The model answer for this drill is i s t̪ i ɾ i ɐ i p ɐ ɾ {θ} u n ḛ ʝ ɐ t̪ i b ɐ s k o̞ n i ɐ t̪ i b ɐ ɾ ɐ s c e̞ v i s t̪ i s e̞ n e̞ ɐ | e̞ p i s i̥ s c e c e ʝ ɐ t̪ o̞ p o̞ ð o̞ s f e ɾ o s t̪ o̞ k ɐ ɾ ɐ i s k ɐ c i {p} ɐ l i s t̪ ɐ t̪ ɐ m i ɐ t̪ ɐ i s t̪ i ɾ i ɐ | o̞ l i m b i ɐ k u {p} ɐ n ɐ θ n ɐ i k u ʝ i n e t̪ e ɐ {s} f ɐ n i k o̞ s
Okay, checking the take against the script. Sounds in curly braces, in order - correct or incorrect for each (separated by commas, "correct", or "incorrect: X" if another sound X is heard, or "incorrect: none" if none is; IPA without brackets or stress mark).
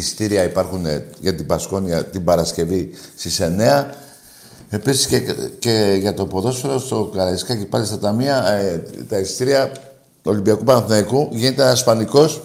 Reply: incorrect: x, correct, correct, correct